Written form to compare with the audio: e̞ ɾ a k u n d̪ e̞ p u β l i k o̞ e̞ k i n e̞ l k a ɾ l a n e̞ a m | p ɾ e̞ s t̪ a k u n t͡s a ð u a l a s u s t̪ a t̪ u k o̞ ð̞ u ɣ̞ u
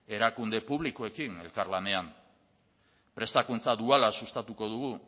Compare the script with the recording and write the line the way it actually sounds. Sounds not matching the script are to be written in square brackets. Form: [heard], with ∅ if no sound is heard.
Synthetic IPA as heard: e̞ ɾ a k u n d̪ e̞ p u β l i k o̞ e̞ k i n e̞ l k a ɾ l a n e̞ a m | p ɾ e̞ s t̪ a k u n t͡s a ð u a l a s u s t̪ a t̪ u k o̞ ð̞ u ɣ̞ u